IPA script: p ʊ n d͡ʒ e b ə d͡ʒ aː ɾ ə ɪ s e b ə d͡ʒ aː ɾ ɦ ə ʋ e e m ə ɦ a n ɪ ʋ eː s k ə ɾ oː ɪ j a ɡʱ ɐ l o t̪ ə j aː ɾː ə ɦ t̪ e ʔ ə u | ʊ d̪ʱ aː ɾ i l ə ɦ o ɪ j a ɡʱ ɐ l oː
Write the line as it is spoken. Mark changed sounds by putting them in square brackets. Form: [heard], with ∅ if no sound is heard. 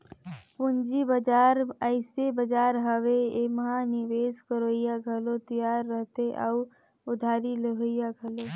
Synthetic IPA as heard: p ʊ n d͡ʒ [i] b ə d͡ʒ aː ɾ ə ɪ s e b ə d͡ʒ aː ɾ ɦ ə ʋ e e m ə ɦ a n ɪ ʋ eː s k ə ɾ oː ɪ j a ɡʱ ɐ l o t̪ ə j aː ɾː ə ɦ t̪ e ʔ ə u | ʊ d̪ʱ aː ɾ i l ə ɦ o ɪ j a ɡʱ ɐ l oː